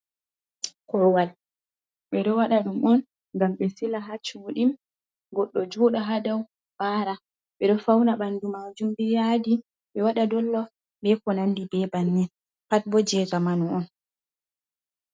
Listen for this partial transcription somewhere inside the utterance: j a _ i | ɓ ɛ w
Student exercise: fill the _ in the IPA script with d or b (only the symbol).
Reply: d